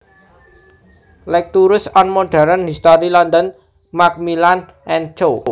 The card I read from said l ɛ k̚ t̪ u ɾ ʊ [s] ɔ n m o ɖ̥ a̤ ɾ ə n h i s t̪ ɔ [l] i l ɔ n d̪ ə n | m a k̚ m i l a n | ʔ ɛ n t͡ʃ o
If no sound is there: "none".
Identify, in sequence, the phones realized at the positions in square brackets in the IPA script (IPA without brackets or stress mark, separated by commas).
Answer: s, ɾ